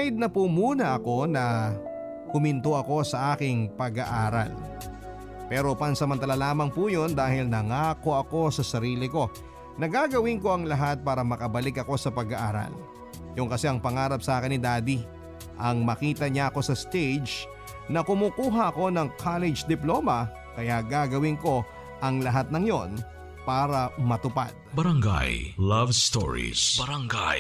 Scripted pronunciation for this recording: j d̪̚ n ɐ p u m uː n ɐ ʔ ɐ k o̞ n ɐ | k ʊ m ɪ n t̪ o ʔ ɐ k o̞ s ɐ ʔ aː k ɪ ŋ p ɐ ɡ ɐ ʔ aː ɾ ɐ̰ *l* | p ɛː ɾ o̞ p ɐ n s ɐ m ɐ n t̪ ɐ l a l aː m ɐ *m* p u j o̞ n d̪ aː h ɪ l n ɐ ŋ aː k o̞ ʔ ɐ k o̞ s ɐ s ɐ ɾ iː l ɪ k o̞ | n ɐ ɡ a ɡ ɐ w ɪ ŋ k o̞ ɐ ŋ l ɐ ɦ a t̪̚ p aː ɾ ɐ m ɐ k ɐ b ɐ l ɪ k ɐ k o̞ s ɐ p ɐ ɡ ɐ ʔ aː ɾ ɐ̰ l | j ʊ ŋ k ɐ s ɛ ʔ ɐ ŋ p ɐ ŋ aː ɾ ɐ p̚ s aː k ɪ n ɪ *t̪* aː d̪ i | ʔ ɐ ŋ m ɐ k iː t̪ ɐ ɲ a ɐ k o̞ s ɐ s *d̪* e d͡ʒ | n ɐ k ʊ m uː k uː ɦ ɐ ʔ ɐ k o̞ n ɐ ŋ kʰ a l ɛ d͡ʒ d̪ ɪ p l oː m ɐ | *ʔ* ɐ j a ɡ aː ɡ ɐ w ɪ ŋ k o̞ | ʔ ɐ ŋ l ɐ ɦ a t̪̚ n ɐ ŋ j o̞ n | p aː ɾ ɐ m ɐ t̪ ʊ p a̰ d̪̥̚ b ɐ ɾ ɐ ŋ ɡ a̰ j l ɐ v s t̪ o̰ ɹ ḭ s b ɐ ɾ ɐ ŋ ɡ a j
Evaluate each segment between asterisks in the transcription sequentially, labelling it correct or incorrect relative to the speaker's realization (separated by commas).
correct, incorrect, incorrect, incorrect, incorrect